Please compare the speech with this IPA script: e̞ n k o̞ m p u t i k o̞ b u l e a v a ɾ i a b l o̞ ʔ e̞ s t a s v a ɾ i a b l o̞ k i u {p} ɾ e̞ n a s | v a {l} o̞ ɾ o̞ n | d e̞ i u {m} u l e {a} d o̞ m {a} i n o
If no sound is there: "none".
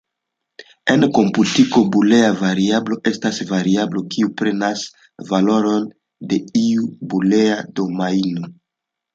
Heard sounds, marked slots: p, l, b, a, a

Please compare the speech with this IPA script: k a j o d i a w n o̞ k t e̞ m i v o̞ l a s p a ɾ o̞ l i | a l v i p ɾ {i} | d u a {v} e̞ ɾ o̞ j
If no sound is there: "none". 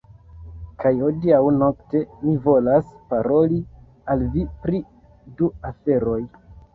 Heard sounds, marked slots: i, f

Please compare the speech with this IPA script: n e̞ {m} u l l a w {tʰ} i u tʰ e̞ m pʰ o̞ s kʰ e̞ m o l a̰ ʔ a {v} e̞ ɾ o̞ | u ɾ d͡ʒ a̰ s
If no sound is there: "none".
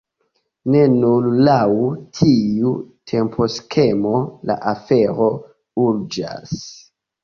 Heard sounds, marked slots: n, tʰ, f

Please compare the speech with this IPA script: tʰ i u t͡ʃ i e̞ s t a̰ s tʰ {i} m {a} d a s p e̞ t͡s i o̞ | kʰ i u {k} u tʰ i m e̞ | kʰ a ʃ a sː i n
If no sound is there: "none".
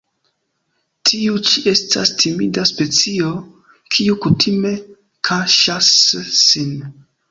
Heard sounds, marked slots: i, i, k

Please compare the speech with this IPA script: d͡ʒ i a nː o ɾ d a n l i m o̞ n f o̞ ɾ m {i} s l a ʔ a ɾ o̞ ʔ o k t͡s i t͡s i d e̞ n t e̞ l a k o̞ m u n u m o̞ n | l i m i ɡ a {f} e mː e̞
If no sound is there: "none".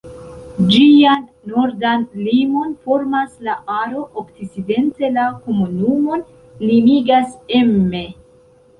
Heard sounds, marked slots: a, s

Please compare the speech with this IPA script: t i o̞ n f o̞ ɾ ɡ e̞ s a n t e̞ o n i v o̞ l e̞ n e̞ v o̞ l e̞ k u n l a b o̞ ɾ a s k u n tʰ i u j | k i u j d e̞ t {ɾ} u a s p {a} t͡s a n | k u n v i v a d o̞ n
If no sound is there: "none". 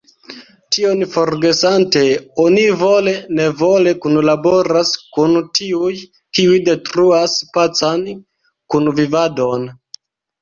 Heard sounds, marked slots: ɾ, a

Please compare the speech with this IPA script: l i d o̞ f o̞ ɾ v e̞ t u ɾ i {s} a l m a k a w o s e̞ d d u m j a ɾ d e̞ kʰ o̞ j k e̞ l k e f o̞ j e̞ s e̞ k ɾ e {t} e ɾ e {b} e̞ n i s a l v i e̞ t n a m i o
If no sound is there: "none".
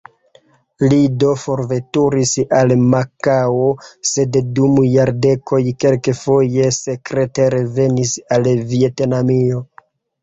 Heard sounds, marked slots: s, t, v

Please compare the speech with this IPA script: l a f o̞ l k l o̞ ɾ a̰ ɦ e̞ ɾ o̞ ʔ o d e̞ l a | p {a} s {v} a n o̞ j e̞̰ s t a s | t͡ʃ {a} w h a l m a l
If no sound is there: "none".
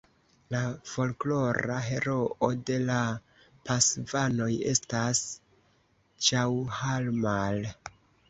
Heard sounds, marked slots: a, v, a

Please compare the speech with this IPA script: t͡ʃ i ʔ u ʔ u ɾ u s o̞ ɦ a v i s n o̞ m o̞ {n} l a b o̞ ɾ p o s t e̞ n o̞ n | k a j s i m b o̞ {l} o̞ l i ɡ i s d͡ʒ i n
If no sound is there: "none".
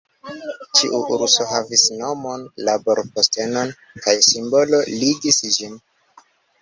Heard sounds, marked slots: n, l

